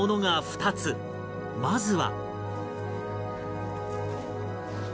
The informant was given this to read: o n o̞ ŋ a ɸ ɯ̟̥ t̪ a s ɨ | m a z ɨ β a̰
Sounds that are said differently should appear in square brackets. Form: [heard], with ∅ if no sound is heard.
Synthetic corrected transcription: o n o̞ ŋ a ɸ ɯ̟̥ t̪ a [t͡s] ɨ | m a z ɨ β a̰